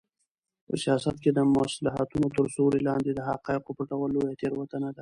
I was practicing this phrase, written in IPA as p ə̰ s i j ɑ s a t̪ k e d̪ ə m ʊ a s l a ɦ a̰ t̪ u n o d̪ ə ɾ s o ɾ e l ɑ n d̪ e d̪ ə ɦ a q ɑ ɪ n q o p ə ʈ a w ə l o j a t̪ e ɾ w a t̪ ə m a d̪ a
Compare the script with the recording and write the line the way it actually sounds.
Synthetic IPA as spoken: p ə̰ s i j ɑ s a t̪ k e d̪ ə m ʊ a s l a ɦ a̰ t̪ u n o t̪ ə ɾ s o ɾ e l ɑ n d̪ e d̪ ə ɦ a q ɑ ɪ q o p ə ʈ a w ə l o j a t̪ e ɾ w a t̪ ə n a d̪ a